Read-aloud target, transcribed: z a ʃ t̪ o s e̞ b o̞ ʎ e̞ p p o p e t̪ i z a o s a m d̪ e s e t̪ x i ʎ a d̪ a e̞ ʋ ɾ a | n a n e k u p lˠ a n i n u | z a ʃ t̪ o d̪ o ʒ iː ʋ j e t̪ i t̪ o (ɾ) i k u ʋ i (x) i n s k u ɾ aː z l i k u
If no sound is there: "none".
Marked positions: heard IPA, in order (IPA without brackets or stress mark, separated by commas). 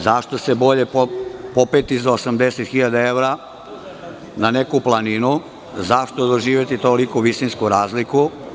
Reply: l, s